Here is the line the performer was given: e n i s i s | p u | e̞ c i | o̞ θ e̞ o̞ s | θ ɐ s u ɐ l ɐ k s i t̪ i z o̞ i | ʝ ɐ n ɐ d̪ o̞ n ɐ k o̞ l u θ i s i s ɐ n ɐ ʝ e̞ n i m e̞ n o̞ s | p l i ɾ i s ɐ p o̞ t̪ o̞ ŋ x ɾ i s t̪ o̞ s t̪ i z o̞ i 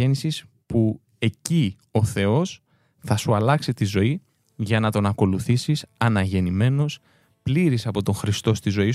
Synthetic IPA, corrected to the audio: e n i s i s | p u | e̞ c i | o̞ θ e̞ o̞ s | θ ɐ s u ɐ l ɐ k s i t̪ i z o̞ i | ʝ ɐ n ɐ t̪ o̞ n ɐ k o̞ l u θ i s i s ɐ n ɐ ʝ e̞ n i m e̞ n o̞ s | p l i ɾ i s ɐ p o̞ t̪ o̞ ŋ x ɾ i s t̪ o̞ s t̪ i z o̞ i